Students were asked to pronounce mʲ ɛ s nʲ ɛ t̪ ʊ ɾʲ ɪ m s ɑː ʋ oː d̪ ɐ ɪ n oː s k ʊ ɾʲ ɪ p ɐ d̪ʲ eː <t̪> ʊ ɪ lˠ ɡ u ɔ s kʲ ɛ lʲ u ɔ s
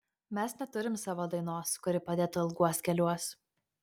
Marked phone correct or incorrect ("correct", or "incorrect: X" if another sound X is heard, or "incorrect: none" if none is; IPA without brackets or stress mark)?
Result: correct